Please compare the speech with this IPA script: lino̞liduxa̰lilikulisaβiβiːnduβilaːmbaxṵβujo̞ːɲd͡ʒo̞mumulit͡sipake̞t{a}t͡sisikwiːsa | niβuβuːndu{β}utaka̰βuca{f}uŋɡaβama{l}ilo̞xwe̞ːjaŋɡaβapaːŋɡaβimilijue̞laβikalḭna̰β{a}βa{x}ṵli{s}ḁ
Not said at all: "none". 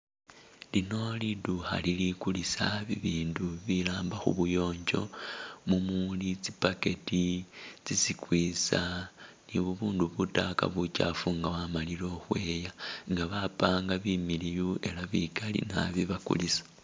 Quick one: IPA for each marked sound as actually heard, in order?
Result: i, β, f, l, i, k, s

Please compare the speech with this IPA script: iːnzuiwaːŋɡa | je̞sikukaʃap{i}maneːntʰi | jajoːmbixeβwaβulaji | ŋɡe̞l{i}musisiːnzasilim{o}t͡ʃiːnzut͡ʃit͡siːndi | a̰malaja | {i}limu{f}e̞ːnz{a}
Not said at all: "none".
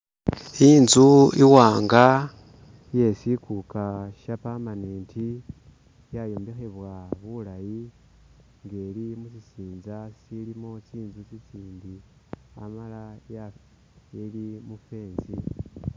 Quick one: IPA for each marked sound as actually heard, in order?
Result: a, i, o, e, f, i

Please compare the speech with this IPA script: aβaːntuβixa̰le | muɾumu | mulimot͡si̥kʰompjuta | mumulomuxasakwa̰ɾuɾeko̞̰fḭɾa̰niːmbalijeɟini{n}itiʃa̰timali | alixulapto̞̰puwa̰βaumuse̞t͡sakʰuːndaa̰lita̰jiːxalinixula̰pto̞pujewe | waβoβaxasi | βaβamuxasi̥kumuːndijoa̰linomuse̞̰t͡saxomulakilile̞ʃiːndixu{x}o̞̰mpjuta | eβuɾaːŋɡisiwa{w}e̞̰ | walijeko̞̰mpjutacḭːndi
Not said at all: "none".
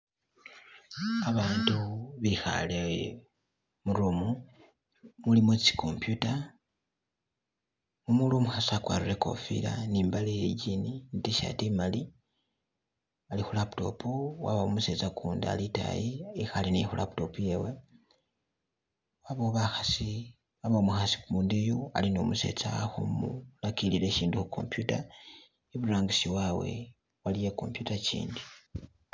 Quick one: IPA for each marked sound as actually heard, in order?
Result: n, k, w

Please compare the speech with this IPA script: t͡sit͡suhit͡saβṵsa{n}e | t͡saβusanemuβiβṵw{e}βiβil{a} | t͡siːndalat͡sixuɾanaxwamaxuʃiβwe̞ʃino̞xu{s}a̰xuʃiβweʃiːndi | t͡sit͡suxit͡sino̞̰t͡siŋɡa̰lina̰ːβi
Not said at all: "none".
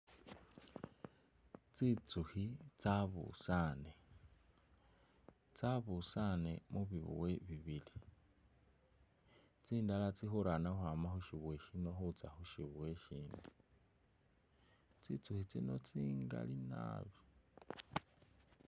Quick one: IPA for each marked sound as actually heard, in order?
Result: n, e, i, t͡s

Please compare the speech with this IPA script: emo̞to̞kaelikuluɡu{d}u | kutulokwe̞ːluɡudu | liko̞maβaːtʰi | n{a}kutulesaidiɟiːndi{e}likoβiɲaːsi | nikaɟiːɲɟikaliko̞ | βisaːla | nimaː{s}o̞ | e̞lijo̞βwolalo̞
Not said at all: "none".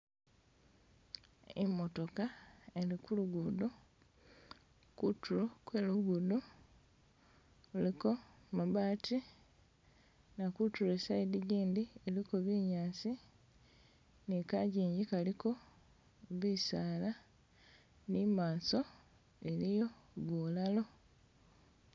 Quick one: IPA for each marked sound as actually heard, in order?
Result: d, a, e, s

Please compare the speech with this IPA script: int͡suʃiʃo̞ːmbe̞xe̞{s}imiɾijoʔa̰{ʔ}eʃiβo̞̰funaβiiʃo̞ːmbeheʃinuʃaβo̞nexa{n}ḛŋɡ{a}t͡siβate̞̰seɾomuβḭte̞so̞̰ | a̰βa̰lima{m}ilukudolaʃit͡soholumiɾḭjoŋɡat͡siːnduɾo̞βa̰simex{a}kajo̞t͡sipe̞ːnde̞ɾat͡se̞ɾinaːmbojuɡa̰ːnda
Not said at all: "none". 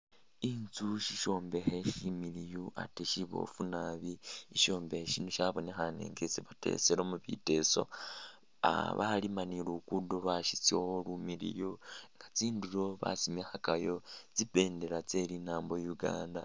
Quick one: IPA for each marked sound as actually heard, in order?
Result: ʃ, t, n, e, n, a

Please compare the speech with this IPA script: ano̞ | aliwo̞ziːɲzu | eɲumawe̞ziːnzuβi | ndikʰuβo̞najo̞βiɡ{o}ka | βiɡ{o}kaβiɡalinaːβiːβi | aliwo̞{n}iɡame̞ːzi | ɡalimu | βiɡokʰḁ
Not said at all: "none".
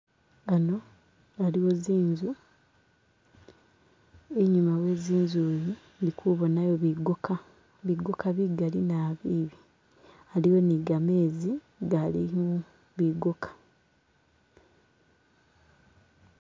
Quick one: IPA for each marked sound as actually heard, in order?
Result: o, o, n

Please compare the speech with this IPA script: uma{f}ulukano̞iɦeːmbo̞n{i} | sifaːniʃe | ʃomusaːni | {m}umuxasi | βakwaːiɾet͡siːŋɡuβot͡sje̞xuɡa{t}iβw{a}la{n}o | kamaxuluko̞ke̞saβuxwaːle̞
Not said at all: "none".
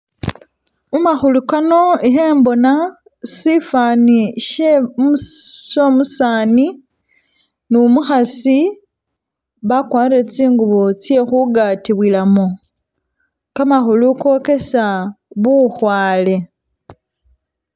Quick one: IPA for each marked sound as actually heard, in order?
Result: x, a, n, t, i, m

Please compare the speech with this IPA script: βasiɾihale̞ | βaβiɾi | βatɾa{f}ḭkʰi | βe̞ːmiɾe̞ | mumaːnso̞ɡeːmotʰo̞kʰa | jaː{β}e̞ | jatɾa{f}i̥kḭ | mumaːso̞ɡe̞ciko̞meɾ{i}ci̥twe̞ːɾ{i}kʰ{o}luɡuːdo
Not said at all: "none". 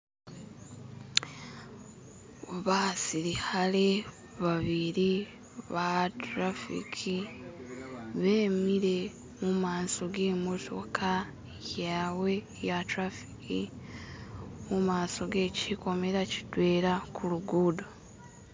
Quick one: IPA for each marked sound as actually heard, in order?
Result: f, w, f, a, a, u

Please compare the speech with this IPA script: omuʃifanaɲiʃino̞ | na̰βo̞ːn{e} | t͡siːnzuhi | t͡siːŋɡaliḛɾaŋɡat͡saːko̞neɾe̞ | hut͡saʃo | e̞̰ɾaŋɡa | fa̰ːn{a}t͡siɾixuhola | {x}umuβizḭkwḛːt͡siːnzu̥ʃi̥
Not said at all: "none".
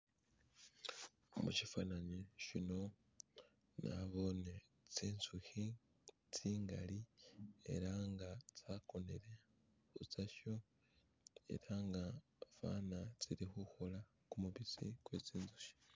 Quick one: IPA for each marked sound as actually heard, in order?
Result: e, a, k

